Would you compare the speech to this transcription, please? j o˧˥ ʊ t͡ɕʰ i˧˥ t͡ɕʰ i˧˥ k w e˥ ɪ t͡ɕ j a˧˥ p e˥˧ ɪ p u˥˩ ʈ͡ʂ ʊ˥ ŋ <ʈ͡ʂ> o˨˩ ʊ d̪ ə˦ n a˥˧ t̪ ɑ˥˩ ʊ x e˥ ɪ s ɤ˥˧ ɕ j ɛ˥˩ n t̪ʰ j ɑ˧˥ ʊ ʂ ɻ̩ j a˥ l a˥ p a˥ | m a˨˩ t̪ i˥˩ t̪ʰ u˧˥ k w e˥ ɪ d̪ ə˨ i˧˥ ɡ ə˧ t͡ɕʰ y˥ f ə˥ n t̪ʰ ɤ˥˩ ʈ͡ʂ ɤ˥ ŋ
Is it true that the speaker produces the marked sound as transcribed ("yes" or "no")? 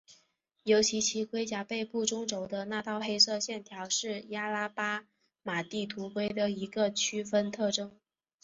yes